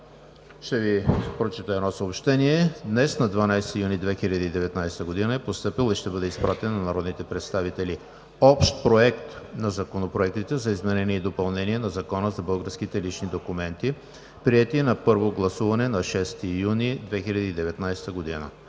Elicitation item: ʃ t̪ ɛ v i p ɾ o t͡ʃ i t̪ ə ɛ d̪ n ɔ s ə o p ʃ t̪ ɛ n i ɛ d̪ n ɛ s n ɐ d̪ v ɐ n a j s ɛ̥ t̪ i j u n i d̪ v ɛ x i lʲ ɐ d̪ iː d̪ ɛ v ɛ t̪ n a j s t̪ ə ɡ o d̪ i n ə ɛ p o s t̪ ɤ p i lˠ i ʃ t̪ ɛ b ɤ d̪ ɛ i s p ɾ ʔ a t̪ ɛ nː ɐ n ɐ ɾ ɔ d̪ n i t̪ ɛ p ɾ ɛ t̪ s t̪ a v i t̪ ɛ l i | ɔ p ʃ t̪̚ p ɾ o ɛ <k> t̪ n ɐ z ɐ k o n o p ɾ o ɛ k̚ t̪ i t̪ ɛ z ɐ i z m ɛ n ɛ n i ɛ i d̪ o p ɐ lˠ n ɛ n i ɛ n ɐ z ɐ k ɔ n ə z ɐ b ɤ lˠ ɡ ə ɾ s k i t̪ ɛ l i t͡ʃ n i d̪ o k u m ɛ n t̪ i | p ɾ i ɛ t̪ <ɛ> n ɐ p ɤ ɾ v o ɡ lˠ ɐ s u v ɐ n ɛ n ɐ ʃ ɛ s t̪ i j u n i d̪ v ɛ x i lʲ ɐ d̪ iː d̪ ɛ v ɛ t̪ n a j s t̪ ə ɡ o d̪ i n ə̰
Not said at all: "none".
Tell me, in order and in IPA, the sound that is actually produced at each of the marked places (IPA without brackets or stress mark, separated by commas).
k, i